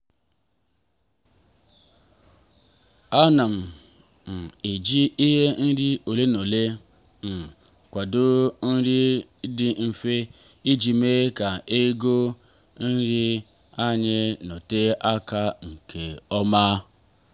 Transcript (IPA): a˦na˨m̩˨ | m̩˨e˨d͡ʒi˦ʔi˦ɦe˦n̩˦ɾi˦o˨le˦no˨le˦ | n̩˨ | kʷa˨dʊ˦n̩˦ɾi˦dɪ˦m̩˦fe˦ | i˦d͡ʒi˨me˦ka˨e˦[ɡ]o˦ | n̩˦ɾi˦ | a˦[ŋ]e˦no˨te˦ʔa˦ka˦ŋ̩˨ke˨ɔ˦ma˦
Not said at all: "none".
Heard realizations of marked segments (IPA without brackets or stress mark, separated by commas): ɡ, ɲ